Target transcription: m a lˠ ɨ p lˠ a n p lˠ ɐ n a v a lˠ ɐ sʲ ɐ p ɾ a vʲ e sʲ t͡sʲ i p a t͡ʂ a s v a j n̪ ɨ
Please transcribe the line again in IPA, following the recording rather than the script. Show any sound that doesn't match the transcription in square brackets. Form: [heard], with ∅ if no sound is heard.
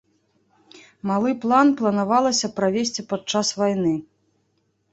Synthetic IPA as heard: m a lˠ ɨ p lˠ a n p lˠ ɐ n a v a lˠ ɐ sʲ ɐ p ɾ a vʲ e sʲ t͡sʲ i p a t͡ʂ a s v a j n̪ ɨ